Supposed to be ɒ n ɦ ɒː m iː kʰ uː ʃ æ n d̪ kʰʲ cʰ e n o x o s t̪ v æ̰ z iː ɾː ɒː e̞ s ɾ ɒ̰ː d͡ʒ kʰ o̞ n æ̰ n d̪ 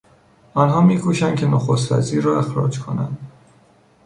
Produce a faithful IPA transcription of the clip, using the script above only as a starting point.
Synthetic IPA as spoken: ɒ n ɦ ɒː m iː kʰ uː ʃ æ n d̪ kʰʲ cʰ e n o x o s t̪ v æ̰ z iː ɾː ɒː e̞ x ɾ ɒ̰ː d͡ʒ kʰ o̞ n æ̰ n d̪